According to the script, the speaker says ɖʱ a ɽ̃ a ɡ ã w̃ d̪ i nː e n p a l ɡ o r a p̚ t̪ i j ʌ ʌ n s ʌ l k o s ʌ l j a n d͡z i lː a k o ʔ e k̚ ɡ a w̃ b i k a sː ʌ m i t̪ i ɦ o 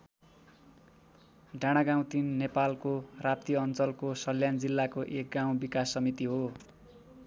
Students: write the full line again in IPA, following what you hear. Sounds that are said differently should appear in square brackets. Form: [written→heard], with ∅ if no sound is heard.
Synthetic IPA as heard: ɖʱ a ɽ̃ a ɡ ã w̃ [d̪→t̪] i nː e [n→∅] p a l [ɡ→k] o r a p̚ t̪ i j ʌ ʌ n [s→t͡s] ʌ l k o s ʌ l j a n d͡z i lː a k o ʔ e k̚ ɡ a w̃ b i k a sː ʌ m i t̪ i ɦ o

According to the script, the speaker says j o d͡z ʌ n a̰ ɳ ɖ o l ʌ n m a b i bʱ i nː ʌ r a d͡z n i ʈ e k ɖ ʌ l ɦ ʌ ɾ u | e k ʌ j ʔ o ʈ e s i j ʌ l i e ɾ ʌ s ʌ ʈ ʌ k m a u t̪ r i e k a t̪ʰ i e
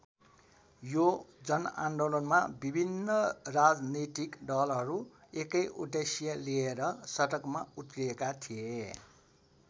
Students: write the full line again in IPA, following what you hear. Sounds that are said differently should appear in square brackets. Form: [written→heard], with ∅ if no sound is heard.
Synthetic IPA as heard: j o d͡z ʌ n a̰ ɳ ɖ o l ʌ n m a b i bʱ i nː ʌ r a d͡z n i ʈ [e→i] k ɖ ʌ l ɦ ʌ ɾ u | e k ʌ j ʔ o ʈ e s i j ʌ l i e ɾ ʌ s ʌ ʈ ʌ k m a u t̪ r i e k a t̪ʰ i e

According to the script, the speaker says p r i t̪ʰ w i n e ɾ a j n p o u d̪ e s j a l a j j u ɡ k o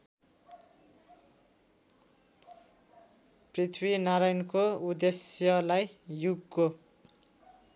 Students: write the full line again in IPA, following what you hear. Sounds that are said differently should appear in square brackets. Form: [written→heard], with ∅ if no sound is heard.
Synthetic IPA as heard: p r i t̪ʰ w i n [e→a] ɾ a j n [p→k] o u d̪ e s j [a→ʌ] l a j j u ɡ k o

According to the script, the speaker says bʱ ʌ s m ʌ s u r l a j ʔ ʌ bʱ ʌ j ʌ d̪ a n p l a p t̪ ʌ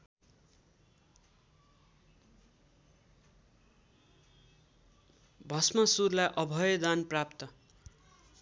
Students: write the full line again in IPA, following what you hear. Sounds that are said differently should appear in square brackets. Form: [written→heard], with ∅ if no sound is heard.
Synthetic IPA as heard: bʱ ʌ s m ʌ s u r l a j ʔ ʌ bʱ ʌ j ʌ d̪ a n p [l→r] a p t̪ ʌ

